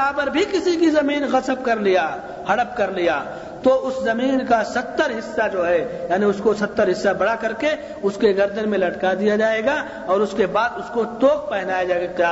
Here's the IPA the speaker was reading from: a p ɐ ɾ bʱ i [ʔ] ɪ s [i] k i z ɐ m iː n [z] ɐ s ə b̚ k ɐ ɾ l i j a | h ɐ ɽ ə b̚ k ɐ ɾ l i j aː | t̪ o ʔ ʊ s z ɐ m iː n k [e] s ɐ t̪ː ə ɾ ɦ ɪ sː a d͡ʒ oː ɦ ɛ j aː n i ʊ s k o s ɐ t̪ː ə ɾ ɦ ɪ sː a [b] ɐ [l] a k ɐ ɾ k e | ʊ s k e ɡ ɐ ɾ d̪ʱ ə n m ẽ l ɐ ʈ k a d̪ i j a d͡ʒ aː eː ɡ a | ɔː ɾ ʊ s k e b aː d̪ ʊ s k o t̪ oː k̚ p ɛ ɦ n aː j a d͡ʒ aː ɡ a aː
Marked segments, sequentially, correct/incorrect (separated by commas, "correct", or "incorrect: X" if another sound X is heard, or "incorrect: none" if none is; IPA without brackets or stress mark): incorrect: k, correct, incorrect: ɣ, incorrect: a, correct, incorrect: ɽ